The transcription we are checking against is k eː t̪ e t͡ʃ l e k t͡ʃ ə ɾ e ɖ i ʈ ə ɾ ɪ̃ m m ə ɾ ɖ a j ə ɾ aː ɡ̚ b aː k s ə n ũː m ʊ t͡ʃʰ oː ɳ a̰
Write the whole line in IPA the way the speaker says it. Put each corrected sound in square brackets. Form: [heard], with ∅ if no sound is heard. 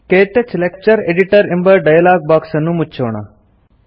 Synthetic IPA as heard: k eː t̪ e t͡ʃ l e k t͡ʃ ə ɾ e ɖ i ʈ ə ɾ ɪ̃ m [b] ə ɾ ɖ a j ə [l] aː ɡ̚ b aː k s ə n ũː m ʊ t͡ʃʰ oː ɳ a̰